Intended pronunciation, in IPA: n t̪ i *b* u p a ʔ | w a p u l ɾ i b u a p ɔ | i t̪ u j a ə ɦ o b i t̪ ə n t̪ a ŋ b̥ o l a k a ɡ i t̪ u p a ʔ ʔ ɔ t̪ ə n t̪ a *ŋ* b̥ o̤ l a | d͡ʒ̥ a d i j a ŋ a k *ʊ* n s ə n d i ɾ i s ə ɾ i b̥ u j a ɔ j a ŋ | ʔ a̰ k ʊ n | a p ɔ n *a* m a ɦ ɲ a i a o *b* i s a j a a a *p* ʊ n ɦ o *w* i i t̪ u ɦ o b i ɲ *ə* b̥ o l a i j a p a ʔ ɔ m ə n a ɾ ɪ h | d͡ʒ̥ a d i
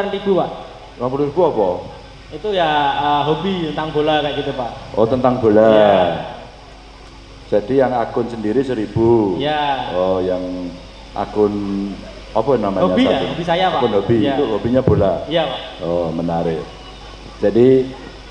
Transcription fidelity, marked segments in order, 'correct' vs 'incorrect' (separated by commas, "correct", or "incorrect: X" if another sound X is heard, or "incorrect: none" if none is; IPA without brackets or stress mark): correct, correct, correct, correct, correct, incorrect: k, incorrect: b, incorrect: a